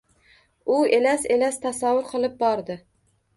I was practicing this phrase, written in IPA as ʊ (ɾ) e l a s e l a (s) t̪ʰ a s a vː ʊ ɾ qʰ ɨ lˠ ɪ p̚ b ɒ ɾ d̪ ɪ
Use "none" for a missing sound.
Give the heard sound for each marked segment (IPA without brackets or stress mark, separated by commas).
none, s